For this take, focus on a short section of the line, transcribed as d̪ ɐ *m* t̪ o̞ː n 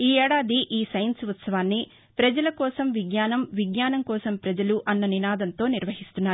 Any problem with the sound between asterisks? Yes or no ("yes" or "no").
yes